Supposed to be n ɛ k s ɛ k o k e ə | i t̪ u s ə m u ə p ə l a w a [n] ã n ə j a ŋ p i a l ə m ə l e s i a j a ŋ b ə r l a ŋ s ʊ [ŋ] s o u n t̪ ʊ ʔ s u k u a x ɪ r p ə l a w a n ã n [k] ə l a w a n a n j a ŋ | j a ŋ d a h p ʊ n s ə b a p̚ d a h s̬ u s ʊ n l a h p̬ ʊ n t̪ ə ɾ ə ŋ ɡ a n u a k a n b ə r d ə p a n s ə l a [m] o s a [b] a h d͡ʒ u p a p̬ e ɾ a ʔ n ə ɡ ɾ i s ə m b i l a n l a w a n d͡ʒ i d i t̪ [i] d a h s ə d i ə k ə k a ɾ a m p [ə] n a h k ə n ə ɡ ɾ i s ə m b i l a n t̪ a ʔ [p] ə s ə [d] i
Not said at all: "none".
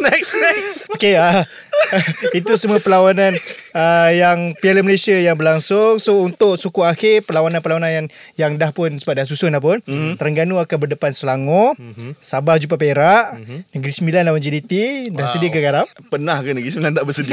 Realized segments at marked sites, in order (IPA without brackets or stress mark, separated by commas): n, ŋ, p, ŋ, b, i, ə, b, d